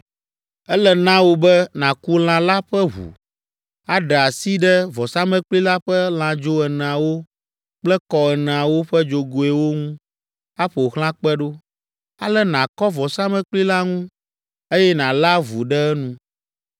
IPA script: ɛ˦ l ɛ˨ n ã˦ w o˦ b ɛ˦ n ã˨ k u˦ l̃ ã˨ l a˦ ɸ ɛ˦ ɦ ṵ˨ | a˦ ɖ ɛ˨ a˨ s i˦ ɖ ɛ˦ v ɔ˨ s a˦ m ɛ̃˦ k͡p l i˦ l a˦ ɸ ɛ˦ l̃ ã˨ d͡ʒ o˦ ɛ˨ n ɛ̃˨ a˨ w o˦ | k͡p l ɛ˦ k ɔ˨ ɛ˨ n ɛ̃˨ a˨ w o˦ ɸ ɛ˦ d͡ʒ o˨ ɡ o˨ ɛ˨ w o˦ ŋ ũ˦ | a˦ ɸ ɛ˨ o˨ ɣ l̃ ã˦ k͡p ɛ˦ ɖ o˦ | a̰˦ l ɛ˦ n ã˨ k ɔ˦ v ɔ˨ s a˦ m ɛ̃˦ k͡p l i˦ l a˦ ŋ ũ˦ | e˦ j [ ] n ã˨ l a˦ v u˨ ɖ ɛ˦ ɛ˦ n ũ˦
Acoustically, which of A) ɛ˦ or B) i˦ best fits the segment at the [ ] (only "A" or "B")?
A